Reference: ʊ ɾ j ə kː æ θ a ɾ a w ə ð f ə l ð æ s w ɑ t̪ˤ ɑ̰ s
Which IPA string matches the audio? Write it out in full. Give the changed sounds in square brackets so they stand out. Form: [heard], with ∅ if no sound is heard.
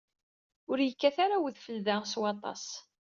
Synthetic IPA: ʊ ɾ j ə kː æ θ a ɾ a w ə ð f ə l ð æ s w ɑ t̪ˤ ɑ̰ s